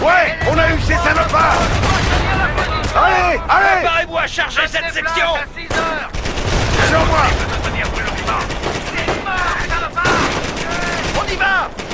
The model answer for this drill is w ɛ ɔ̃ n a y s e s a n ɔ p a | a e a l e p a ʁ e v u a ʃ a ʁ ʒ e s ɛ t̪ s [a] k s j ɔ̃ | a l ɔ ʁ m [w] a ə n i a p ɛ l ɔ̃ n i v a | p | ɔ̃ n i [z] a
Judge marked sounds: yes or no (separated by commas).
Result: no, yes, no